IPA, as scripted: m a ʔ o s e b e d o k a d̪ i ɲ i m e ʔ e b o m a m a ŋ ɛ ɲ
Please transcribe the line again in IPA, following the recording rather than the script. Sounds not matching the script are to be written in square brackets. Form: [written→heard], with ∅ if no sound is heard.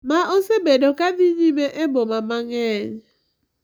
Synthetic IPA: m a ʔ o s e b e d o k a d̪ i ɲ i m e ʔ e b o m a m a ŋ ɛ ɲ